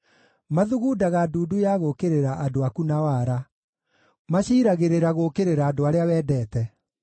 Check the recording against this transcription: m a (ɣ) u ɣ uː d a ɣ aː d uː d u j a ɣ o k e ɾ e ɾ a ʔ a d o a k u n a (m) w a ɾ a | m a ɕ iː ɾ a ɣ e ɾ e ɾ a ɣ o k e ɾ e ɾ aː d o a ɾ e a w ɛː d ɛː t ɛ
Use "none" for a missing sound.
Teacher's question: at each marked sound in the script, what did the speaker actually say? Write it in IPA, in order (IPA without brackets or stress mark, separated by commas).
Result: ð, none